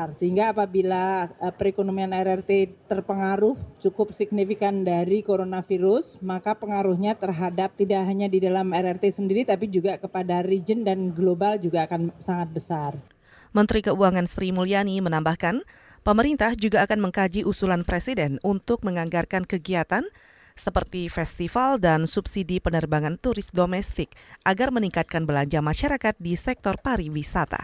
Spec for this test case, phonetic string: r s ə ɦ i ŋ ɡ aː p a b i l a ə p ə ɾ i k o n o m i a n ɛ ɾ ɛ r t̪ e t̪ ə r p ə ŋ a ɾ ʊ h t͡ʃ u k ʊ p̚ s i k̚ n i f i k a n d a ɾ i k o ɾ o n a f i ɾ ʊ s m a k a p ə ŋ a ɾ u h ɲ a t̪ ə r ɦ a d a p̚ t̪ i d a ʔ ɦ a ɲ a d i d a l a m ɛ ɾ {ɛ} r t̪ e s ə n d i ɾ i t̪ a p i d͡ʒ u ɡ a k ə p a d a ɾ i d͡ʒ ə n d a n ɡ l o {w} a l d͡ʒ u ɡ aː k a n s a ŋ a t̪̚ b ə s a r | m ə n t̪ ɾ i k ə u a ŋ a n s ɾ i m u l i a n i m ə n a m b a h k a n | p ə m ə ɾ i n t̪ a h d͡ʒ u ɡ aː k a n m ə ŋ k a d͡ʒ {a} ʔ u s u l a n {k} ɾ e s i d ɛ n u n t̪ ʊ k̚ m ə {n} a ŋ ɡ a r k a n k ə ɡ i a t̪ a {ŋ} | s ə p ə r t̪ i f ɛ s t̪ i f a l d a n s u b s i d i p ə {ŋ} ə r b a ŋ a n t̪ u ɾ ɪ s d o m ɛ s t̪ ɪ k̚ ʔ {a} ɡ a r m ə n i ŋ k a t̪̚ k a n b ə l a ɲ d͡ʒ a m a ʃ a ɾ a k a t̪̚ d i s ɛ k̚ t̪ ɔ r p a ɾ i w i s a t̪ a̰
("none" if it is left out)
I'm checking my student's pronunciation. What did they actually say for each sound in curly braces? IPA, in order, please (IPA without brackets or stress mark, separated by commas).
ɛ, b, i, p, ŋ, n, n, a